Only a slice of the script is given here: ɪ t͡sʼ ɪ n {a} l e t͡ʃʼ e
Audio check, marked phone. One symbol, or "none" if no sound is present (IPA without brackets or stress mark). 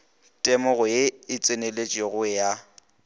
e